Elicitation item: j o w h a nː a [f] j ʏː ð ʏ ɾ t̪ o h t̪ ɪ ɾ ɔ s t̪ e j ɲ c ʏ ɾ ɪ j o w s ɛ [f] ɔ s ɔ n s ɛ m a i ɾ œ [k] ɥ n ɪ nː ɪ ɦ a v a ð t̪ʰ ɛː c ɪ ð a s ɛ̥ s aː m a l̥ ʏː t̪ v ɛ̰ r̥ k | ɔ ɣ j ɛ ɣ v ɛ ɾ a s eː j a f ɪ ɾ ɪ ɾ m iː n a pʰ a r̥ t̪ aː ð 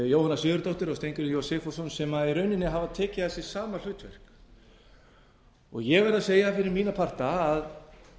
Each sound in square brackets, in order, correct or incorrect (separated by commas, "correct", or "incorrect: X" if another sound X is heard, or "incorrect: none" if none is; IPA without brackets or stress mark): incorrect: s, correct, incorrect: none